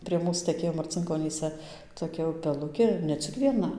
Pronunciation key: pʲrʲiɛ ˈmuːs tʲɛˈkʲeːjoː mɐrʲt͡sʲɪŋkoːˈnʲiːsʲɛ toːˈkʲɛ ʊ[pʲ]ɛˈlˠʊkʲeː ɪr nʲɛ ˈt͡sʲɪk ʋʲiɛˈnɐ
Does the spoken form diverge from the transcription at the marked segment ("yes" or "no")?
no